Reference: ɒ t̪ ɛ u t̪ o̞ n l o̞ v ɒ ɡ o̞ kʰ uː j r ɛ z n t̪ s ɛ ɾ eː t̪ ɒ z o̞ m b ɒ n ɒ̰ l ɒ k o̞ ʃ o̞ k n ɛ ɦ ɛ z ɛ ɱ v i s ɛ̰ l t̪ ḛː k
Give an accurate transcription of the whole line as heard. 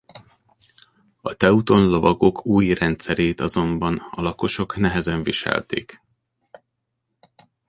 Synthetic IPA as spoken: ɒ t̪ ɛ u t̪ o̞ n l o̞ v ɒ ɡ o̞ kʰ uː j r ɛ n t̪ s ɛ ɾ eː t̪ ɒ z o̞ m b ɒ n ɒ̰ l ɒ k o̞ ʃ o̞ k n ɛ ɦ ɛ z ɛ ɱ v i ʃ ɛ̰ l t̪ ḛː k